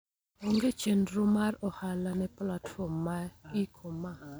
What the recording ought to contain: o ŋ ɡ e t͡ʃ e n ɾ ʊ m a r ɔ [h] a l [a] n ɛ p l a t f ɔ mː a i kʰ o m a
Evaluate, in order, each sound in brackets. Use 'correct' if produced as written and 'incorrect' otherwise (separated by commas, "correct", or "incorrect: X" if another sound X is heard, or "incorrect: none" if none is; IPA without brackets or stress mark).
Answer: correct, correct